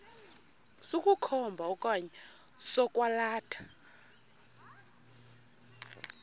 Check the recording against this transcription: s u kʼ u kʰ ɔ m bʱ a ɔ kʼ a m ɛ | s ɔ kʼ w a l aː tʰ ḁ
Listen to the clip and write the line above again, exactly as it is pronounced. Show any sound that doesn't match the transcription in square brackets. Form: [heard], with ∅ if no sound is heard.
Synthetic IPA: s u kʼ u kʰ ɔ m bʱ a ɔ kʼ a [ɲ] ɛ | s ɔ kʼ w a l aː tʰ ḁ